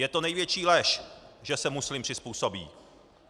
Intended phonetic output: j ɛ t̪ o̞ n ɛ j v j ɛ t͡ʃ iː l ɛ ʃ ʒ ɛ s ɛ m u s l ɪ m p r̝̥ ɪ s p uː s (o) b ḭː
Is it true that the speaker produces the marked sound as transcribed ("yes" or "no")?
yes